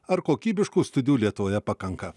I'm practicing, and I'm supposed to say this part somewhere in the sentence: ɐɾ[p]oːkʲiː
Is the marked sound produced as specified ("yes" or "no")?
no